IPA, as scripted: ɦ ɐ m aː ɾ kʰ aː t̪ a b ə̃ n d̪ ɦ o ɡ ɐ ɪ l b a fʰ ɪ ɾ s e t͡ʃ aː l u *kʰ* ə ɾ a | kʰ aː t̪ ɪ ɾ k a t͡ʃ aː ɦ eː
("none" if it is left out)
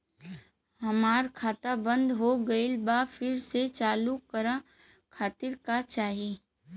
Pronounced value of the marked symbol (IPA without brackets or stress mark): k